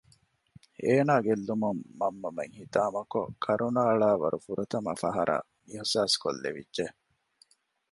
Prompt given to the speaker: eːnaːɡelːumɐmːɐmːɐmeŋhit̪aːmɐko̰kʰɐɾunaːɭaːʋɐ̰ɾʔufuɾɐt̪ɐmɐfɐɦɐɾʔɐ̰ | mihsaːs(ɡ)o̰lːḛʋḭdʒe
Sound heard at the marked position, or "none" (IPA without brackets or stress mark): k